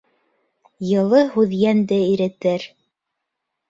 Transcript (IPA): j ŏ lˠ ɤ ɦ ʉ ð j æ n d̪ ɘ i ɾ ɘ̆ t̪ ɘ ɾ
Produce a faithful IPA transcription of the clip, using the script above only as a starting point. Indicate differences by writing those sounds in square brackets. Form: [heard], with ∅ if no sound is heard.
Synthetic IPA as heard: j [ɤ̆] lˠ ɤ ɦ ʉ ð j æ n d̪ ɘ i ɾ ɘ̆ t̪ ɘ ɾ